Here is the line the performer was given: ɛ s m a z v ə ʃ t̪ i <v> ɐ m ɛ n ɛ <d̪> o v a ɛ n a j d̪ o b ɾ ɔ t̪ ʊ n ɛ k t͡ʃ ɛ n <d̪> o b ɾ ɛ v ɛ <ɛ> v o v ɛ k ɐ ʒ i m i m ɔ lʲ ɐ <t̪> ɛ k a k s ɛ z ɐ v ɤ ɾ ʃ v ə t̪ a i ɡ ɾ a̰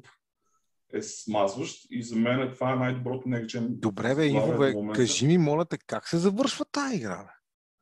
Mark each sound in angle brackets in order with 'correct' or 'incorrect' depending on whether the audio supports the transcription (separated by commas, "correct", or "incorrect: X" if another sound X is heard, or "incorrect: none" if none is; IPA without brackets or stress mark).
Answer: incorrect: z, incorrect: t̪, correct, incorrect: i, correct